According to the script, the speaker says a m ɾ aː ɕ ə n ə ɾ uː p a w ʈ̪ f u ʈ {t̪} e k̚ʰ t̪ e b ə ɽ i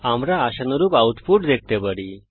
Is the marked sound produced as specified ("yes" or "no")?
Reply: no